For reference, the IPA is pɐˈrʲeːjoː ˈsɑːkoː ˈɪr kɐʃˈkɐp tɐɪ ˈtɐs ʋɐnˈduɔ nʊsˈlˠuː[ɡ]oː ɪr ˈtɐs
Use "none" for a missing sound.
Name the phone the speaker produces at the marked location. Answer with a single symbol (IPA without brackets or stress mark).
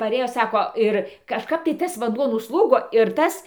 ɡ